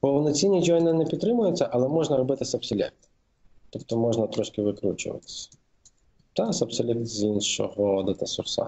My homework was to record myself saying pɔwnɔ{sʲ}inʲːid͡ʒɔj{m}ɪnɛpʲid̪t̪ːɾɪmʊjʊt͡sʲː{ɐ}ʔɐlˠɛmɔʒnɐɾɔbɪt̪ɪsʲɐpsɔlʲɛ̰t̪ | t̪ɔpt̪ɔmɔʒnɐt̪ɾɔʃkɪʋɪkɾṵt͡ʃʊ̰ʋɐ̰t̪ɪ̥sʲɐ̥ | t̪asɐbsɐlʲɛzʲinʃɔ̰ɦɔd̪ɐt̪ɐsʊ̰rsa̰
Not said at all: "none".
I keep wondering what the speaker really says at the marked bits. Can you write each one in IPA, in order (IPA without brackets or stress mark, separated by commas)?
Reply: t͡sʲ, n, ɐ